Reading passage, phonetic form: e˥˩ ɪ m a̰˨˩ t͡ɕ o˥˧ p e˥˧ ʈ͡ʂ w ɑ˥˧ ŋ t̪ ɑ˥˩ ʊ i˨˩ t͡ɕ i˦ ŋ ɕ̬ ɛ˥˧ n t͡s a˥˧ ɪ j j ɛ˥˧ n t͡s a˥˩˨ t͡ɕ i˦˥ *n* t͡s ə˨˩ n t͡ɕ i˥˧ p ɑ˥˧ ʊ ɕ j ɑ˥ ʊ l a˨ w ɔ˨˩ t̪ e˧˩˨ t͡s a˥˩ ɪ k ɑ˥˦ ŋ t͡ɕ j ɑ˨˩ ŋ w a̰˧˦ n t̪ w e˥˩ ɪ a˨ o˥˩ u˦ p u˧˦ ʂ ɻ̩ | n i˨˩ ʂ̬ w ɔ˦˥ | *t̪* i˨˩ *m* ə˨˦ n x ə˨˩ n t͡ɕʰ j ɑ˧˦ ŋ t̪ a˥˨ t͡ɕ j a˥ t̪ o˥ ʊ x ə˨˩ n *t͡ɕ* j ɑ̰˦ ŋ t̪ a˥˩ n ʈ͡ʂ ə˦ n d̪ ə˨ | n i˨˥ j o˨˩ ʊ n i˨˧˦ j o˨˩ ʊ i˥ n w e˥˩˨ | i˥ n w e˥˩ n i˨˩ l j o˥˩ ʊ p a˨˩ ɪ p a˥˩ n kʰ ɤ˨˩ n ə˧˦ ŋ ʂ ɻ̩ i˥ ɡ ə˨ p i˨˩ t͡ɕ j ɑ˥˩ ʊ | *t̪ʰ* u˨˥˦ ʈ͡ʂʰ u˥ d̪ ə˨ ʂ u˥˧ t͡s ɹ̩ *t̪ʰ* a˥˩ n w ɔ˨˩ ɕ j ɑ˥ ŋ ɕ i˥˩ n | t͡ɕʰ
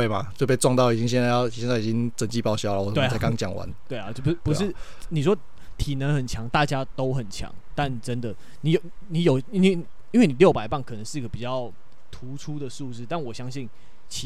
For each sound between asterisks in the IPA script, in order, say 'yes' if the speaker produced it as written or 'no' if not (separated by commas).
no, no, no, no, yes, no